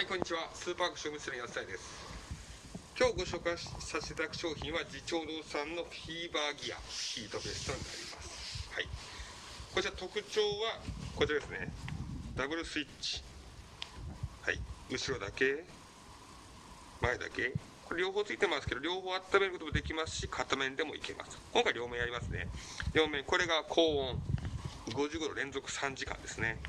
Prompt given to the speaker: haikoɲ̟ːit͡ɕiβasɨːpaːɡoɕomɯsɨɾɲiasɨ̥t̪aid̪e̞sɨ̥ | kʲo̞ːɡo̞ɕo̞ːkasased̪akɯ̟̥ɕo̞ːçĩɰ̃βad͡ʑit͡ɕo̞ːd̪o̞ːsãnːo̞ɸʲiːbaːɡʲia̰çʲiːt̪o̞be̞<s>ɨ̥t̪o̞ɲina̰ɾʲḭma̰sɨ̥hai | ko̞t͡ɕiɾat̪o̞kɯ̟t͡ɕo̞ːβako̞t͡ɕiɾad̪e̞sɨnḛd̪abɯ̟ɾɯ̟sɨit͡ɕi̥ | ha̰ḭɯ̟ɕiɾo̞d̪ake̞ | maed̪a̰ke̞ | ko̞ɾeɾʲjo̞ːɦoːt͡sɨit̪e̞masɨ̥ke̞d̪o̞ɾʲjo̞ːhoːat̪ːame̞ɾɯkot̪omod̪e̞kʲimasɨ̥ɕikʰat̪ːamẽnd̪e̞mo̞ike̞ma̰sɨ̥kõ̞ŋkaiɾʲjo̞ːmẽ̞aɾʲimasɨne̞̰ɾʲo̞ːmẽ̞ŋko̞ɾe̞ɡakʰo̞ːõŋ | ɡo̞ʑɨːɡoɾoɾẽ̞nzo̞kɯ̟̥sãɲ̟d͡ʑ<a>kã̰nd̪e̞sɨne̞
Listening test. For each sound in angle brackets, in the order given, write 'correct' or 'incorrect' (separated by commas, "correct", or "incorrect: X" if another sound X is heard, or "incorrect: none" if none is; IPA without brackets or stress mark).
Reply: correct, incorrect: i